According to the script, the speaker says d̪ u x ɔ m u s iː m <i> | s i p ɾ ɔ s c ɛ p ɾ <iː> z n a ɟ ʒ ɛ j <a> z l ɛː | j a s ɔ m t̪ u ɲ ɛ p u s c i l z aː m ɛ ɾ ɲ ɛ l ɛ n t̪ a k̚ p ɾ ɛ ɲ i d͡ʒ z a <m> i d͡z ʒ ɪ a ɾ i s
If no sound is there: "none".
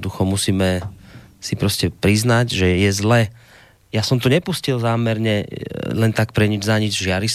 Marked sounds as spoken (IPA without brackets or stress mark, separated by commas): ɛ, i, ɛ, ɲ